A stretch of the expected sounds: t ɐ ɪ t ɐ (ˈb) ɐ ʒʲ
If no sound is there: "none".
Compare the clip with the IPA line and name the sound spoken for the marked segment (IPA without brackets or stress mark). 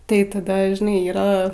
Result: d